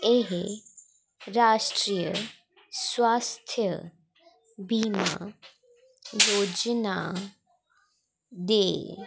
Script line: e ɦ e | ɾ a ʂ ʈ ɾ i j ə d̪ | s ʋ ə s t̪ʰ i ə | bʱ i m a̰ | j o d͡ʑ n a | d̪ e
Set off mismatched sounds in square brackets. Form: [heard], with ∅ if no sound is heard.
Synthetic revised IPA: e ɦ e | ɾ a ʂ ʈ ɾ i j ə [∅] | s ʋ [a] s t̪ʰ [j] ə | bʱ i m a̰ | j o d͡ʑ n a | d̪ e